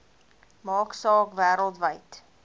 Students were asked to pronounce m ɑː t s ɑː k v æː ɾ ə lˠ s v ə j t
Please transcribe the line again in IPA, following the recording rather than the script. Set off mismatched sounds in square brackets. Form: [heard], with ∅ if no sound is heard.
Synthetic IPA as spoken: m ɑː [k] s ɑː k v æː ɾ ə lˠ [t] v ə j t